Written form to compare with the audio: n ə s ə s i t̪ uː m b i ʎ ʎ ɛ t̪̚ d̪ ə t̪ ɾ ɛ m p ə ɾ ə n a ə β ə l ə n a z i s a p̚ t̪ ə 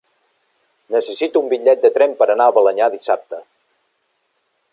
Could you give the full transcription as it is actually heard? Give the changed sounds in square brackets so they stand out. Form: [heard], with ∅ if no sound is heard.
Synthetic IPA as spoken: n ə s ə s i t̪ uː m b i ʎ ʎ ɛ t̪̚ d̪ ə t̪ ɾ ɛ m p ə ɾ ə n a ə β ə l ə [ɲ] a [ð] i s a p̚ t̪ ə